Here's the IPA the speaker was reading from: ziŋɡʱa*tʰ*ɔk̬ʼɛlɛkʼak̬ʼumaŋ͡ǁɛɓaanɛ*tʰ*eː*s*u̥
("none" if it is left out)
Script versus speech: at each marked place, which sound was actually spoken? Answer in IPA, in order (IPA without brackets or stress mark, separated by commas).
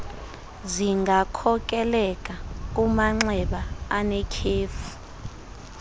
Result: kʰ, kʰ, f